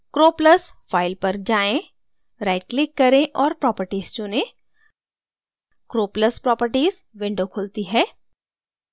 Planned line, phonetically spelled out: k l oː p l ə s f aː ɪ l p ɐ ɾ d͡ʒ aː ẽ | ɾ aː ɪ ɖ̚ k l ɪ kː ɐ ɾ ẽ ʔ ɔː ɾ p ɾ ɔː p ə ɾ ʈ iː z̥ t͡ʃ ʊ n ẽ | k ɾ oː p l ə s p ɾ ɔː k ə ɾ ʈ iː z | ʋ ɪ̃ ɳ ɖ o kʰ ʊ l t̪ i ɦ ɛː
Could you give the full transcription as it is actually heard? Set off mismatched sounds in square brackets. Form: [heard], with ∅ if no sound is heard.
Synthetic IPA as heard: k [ɾ] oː p l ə s f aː ɪ l p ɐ ɾ d͡ʒ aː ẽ | ɾ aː ɪ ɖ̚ k l ɪ kː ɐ ɾ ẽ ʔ ɔː ɾ p ɾ ɔː p ə ɾ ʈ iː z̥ t͡ʃ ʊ n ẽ | k ɾ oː p l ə s p ɾ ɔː [p] ə ɾ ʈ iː z | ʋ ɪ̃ ɳ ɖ o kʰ ʊ l t̪ i ɦ ɛː

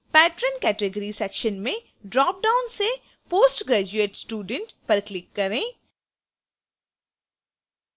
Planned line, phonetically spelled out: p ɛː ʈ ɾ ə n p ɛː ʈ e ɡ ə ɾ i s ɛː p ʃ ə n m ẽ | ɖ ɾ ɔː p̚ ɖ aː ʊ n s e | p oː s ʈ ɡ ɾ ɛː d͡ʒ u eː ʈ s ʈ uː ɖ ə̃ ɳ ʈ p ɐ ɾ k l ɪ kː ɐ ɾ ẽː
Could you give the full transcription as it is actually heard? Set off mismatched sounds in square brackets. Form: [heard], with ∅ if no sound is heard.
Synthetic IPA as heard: p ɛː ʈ ɾ ə n [k] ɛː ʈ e ɡ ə ɾ i s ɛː [k] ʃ ə n m ẽ | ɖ ɾ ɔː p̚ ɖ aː ʊ n s e | p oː s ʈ ɡ ɾ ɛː d͡ʒ u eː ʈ s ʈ uː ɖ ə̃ ɳ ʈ p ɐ ɾ k l ɪ kː ɐ ɾ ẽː

